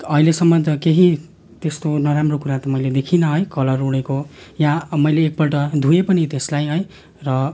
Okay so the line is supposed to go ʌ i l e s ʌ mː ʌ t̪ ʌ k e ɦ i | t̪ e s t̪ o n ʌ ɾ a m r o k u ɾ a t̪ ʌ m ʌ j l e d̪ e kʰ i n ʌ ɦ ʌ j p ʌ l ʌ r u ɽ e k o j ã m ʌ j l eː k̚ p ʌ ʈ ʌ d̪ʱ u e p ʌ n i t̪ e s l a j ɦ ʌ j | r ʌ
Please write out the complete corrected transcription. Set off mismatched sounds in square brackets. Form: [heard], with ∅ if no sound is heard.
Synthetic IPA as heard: ʌ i l e s ʌ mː ʌ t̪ ʌ k e ɦ i | t̪ e s t̪ o n ʌ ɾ a m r o k u ɾ a t̪ ʌ m ʌ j l e d̪ e kʰ i n ʌ ɦ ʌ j [k] ʌ l ʌ r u ɽ e k o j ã m ʌ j l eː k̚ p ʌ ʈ ʌ d̪ʱ u e p ʌ n i t̪ e s l a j ɦ ʌ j | r ʌ